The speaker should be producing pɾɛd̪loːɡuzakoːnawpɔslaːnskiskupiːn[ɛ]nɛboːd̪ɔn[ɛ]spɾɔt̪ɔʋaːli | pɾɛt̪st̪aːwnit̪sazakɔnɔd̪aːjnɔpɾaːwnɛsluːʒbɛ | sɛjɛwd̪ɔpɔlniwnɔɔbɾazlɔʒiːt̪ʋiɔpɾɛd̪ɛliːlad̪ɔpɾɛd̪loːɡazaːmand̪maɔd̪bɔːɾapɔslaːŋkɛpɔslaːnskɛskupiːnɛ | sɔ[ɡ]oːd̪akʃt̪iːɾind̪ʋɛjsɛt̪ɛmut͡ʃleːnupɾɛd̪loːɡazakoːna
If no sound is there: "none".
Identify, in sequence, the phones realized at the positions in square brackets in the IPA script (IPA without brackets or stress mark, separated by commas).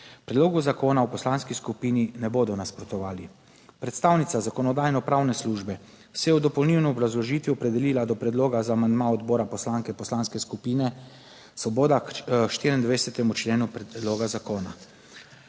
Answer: i, a, b